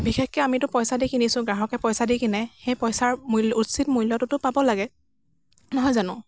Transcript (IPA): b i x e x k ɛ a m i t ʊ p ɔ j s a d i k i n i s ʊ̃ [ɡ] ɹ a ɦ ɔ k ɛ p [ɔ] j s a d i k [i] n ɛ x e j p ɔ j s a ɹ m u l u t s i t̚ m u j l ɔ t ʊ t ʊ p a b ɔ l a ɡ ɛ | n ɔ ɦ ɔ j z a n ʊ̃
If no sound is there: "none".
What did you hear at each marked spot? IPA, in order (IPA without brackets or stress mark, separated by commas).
ɡ, ɔ, i